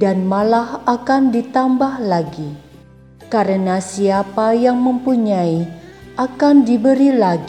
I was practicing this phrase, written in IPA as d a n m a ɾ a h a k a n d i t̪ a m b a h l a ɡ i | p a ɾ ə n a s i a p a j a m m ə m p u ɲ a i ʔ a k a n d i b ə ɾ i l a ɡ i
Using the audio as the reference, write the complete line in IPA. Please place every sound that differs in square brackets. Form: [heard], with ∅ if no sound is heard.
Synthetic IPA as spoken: d a n m a [l] a h a k a n d i t̪ a m b a h l a ɡ i | [k] a ɾ ə n a s i a p a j a [ŋ] m ə m p u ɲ a i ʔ a k a n d i b ə ɾ i l a ɡ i